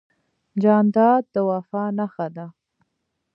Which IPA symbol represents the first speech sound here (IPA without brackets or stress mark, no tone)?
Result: d͡ʒ